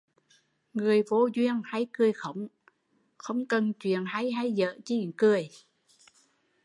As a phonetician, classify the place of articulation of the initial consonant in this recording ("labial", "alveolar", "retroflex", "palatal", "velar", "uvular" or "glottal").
velar